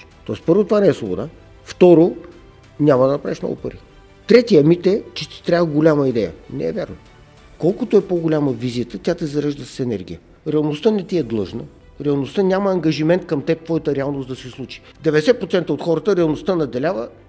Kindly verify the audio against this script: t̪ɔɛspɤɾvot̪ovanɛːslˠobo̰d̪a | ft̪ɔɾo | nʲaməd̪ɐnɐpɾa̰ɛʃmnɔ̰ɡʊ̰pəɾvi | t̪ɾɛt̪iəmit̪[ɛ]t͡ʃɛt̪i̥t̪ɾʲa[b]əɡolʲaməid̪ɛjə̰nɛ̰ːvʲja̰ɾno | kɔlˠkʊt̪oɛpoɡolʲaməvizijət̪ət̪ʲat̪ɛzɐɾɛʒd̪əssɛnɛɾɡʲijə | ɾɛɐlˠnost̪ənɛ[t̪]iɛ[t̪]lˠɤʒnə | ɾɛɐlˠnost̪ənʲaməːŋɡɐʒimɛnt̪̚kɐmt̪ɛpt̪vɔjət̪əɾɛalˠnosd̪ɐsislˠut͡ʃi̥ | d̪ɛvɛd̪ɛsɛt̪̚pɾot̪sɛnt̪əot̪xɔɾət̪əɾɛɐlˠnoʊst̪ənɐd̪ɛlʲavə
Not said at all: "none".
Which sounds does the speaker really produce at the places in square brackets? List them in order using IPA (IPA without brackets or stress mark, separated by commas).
ɛ, v, t̪, d̪